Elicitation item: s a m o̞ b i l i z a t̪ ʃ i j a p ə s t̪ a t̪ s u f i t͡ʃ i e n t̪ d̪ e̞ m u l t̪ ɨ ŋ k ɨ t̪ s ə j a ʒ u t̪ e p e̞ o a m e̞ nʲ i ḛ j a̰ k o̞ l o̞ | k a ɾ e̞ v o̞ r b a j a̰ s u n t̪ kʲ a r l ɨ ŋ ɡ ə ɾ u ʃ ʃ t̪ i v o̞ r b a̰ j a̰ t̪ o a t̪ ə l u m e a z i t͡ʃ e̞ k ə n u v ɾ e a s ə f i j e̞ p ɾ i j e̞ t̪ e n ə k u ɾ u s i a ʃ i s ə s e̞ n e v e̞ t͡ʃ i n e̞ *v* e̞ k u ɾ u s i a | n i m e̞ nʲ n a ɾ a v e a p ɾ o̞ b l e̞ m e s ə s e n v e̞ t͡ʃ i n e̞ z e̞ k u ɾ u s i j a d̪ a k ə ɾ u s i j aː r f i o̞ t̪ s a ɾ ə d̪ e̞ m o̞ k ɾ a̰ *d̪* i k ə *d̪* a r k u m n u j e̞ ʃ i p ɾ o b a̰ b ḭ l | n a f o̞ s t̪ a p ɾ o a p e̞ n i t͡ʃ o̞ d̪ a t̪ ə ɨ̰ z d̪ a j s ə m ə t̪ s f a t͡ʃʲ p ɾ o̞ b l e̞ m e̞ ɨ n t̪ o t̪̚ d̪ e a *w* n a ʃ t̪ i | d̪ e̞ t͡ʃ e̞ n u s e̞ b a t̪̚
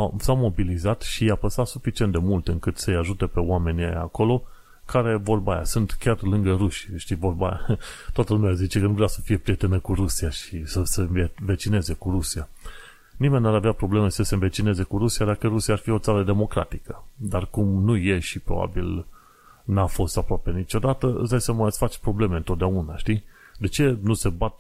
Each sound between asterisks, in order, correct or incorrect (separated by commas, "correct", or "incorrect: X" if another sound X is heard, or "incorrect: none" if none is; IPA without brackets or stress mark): incorrect: z, incorrect: t̪, correct, incorrect: u